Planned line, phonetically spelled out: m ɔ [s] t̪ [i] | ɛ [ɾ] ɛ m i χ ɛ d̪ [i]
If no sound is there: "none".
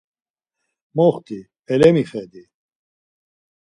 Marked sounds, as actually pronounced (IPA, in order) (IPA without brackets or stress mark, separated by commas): χ, i, l, i